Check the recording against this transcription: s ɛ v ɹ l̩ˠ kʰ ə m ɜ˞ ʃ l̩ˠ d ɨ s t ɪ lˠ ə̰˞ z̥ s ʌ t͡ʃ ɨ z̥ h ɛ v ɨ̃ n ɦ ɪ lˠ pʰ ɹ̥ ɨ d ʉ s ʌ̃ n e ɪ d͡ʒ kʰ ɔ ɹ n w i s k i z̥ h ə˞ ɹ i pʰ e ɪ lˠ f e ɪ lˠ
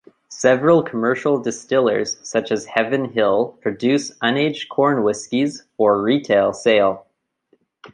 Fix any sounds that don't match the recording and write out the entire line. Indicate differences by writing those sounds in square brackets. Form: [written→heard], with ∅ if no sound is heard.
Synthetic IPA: s ɛ v ɹ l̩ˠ kʰ ə m ɜ˞ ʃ l̩ˠ d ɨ s t ɪ lˠ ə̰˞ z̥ s ʌ t͡ʃ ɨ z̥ h ɛ v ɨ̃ n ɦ ɪ lˠ pʰ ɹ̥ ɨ d ʉ s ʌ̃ n e ɪ d͡ʒ kʰ ɔ ɹ n w [i→ɪ] s k i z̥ [h→f] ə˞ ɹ i [pʰ→tʰ] e ɪ lˠ [f→s] e ɪ lˠ